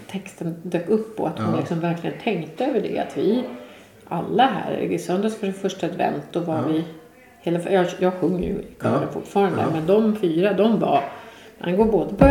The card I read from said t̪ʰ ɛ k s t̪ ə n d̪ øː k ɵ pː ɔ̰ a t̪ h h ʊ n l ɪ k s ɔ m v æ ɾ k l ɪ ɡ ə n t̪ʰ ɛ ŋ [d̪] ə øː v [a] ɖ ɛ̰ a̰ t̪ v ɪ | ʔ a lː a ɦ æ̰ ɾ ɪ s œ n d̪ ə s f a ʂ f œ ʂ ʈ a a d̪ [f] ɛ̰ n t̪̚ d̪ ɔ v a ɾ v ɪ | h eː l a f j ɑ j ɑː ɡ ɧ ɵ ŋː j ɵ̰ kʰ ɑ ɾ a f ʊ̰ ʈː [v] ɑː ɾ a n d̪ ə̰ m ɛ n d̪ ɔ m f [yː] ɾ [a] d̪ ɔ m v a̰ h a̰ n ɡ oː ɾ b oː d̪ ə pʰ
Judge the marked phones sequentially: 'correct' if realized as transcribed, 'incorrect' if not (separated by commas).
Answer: incorrect, incorrect, incorrect, incorrect, correct, correct